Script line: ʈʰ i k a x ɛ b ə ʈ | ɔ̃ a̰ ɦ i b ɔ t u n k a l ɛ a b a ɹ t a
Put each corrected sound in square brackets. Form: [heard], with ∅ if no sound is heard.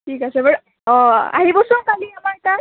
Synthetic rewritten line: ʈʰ i k a [s] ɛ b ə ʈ | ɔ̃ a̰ ɦ i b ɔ [s] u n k a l [i] a [m] a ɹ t a

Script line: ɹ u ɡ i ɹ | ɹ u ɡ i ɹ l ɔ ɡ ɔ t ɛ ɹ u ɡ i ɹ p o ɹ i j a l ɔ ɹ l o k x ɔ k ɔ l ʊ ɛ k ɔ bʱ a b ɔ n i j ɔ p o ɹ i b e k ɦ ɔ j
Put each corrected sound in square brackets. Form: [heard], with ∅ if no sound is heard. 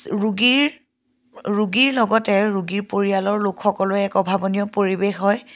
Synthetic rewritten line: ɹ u ɡ i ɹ | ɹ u ɡ i ɹ l ɔ ɡ ɔ t ɛ ɹ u ɡ i ɹ p o ɹ i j a l ɔ ɹ l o k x ɔ k ɔ l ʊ ɛ k ɔ bʱ a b ɔ n i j ɔ p o ɹ i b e [x] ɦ ɔ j

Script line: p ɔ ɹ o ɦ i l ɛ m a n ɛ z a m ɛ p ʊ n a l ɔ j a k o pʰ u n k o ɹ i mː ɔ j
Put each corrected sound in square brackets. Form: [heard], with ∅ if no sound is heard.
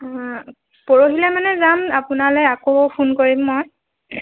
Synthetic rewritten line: p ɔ ɹ o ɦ i l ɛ m a n ɛ z a m [a] p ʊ n a l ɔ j a k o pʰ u n k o ɹ i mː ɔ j

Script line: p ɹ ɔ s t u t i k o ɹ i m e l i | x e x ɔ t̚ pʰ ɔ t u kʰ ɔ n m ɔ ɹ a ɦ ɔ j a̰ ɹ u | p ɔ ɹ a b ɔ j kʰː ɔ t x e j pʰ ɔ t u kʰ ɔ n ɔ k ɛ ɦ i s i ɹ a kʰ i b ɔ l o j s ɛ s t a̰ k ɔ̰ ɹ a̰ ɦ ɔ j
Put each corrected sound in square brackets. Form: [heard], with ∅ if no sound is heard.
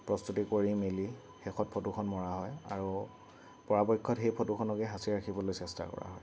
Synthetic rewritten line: p ɹ ɔ s t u t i k o ɹ i m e l i | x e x ɔ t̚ pʰ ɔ t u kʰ ɔ n m ɔ ɹ a ɦ ɔ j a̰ ɹ u | p ɔ ɹ a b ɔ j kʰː ɔ t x e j pʰ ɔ t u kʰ ɔ n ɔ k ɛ ɦ [a] s i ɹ a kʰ i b ɔ l o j s ɛ s t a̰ k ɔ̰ ɹ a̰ ɦ ɔ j

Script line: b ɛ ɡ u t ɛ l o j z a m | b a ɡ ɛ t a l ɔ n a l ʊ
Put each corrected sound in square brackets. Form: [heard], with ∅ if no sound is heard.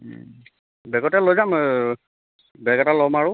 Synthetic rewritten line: b ɛ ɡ [ɔ] t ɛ l o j z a m | b [ɛ] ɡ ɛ t a l ɔ [m] a [ɹ] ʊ

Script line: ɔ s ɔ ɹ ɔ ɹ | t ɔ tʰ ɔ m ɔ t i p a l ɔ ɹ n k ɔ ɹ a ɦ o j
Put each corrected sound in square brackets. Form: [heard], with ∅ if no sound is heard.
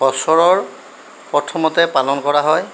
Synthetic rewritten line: ɔ s ɔ ɹ ɔ ɹ | [p] ɔ tʰ ɔ m ɔ t [ɛ] p a l ɔ [∅] n k ɔ ɹ a ɦ [ɔ] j

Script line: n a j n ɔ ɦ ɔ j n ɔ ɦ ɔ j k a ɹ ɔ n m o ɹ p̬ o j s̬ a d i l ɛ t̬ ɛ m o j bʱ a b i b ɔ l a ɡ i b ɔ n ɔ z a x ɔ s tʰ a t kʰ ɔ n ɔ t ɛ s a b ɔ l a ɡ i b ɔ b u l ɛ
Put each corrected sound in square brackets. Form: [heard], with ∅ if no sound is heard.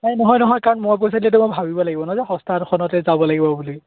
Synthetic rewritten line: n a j n ɔ ɦ ɔ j n ɔ ɦ ɔ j k a ɹ ɔ n m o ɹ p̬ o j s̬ a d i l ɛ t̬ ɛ m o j bʱ a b i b ɔ l a ɡ i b ɔ n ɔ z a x ɔ s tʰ a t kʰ ɔ n ɔ t ɛ [z] a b ɔ l a ɡ i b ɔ b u l [i]

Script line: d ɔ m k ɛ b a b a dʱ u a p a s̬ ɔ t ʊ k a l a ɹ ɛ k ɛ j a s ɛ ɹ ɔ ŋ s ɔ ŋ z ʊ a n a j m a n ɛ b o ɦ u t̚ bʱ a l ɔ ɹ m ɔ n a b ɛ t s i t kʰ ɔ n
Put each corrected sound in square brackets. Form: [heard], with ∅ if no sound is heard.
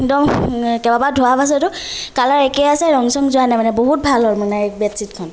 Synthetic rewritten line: d ɔ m k ɛ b a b a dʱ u a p a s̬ ɔ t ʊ k a l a ɹ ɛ k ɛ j a s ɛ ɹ ɔ ŋ s ɔ ŋ z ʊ a n a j m a n ɛ b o ɦ u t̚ bʱ a l ɔ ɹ m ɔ n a b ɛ t s i t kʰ ɔ n

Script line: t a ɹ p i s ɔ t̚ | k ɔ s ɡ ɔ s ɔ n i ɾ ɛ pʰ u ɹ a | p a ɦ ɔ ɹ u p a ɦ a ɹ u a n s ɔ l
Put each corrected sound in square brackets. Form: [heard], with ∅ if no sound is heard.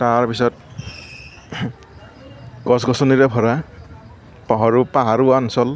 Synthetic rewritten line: t a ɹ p i s ɔ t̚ | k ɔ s ɡ ɔ s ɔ n i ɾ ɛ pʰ [ɔ] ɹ a | p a ɦ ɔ ɹ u p a ɦ a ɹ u a n s ɔ l

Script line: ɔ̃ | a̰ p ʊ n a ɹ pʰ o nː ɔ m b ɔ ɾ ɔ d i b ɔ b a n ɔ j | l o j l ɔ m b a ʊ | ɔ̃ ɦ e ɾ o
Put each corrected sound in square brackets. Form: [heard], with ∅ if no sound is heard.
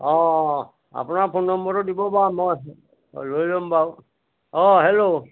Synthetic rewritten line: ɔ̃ | a̰ p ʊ n a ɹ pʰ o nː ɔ m b ɔ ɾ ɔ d i b ɔ b a [m] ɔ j | l o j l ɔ m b a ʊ | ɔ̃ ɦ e [l] o

